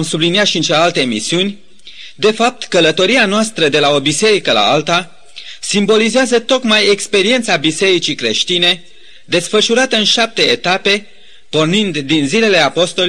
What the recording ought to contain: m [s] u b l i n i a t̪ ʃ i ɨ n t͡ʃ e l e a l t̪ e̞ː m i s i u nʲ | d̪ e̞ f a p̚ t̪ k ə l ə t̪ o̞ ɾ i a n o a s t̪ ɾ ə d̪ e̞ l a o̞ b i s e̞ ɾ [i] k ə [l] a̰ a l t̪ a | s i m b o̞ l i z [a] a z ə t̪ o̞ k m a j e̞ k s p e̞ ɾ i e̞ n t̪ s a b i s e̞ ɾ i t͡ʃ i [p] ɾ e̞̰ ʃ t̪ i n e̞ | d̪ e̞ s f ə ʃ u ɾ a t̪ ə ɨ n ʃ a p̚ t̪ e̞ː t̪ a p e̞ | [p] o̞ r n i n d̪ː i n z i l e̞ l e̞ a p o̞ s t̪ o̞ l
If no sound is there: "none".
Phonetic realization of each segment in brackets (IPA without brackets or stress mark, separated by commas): s, i, l, e, k, p